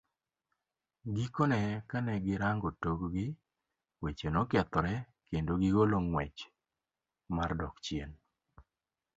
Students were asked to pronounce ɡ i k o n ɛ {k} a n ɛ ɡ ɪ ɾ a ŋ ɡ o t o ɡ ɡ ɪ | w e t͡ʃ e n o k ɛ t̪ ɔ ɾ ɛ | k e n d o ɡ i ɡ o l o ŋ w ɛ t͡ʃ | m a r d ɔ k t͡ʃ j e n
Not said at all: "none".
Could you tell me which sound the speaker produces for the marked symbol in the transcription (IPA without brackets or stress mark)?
k